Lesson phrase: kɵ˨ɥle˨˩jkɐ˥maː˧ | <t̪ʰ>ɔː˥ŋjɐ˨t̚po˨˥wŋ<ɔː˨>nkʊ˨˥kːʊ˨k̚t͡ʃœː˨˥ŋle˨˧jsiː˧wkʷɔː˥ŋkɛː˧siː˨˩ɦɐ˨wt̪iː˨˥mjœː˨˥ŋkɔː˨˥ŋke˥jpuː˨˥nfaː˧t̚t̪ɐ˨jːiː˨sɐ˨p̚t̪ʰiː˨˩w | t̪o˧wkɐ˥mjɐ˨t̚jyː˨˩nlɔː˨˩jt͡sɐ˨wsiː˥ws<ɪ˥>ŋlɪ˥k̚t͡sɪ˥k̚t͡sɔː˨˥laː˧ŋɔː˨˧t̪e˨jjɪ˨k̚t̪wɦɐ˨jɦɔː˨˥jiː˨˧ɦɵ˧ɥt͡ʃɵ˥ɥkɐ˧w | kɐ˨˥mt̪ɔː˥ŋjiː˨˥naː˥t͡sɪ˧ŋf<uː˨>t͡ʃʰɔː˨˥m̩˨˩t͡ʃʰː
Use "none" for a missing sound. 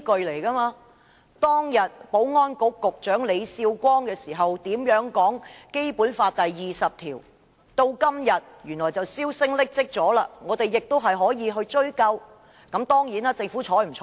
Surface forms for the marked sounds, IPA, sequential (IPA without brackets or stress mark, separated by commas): t̪, ɔː˥, ɪ˥, uː˨˥